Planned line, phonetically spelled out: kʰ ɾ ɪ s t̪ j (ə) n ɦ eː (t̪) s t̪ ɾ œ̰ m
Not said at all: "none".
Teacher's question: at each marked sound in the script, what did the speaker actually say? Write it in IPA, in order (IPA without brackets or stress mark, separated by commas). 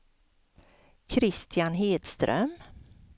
a, d̪